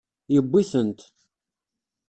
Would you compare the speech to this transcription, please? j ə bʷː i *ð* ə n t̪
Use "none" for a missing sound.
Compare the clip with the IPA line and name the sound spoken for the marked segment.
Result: θ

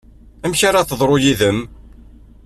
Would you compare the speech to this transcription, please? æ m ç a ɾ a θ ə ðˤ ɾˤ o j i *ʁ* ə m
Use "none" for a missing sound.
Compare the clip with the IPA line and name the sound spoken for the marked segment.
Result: ð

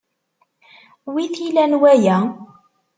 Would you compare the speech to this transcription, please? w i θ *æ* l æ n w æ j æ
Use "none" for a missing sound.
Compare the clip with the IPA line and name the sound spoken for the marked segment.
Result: i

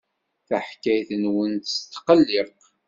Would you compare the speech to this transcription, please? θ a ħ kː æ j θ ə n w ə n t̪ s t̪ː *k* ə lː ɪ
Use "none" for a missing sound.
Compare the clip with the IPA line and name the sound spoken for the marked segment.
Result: q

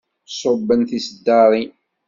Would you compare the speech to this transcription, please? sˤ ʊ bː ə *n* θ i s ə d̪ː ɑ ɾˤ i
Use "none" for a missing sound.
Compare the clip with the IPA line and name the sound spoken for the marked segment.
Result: n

